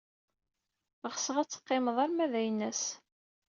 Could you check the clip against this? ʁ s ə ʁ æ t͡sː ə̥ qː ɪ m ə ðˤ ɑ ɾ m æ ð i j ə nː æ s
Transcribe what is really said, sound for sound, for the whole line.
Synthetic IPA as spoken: ʁ s ə ʁ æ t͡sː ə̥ qː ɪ m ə ðˤ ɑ ɾ m æ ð æ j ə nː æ s